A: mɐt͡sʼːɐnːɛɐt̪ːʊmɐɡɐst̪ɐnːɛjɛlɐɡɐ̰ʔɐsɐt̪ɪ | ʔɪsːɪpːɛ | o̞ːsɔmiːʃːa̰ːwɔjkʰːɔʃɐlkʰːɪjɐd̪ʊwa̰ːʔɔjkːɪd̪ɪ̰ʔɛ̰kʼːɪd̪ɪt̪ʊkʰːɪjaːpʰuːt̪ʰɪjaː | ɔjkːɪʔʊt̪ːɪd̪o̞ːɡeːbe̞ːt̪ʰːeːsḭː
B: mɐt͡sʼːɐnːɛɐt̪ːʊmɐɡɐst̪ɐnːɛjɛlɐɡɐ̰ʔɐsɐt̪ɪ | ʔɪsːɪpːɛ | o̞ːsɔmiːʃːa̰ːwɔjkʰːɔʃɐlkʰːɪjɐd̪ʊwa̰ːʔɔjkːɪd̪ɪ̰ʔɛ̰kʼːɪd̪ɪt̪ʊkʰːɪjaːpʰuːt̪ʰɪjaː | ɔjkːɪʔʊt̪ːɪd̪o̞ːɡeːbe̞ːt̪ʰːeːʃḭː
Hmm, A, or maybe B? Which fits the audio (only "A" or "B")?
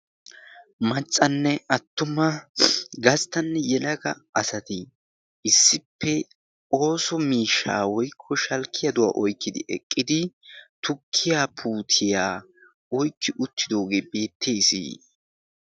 A